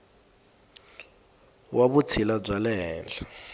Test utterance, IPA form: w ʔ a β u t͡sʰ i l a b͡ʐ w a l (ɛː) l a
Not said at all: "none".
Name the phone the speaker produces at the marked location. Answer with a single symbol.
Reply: ɛː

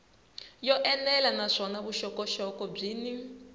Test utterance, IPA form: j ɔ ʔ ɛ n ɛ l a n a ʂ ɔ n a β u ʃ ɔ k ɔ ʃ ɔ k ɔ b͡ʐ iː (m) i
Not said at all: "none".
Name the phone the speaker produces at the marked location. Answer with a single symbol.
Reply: n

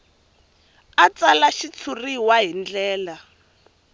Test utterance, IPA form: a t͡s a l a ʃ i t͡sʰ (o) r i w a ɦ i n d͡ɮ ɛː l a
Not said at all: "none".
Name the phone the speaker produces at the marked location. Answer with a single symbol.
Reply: u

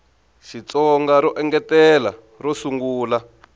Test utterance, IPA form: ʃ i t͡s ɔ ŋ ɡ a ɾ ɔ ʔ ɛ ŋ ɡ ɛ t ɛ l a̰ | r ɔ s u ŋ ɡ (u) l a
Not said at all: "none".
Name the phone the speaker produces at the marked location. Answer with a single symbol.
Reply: uː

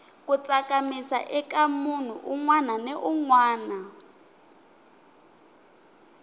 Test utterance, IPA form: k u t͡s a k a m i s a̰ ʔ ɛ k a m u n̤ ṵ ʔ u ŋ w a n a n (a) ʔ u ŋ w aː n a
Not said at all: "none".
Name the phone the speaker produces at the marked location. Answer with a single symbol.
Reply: ɛ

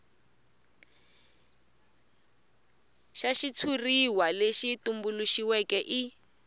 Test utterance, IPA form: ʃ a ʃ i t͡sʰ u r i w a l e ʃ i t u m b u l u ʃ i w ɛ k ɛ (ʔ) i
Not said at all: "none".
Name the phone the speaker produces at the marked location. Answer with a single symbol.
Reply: ʔ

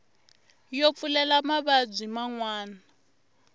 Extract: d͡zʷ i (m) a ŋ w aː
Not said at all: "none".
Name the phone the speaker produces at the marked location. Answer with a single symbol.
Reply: m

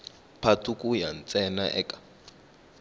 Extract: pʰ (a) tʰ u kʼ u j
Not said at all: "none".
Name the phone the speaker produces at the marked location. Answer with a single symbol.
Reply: a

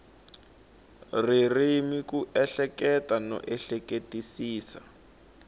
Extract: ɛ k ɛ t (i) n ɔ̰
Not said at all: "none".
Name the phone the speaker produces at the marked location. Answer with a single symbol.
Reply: a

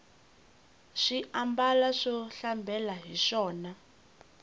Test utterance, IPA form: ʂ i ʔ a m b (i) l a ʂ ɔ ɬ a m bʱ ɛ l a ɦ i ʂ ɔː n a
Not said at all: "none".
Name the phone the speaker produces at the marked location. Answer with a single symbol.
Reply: a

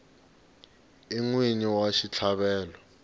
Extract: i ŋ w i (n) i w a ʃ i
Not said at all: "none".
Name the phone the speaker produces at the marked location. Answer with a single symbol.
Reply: ɲ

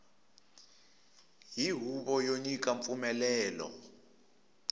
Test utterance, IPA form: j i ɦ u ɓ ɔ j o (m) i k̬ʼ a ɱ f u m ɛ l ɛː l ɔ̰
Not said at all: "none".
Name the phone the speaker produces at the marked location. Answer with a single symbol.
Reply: ɲ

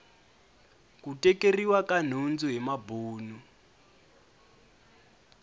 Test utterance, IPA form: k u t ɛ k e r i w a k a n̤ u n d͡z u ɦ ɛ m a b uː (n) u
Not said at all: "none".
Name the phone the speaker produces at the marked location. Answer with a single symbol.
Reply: n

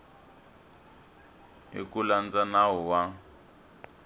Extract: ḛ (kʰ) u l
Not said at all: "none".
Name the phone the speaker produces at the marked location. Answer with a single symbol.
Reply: k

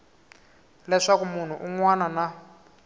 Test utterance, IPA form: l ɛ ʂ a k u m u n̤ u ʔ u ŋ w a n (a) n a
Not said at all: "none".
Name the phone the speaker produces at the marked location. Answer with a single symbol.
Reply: a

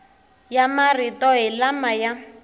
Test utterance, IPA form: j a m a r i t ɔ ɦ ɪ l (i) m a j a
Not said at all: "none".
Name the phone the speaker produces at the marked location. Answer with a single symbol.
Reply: a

